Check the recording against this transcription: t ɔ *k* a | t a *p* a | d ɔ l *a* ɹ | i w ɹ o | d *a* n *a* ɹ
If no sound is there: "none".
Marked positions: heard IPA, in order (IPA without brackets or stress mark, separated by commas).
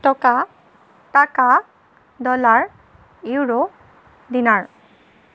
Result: k, k, a, i, a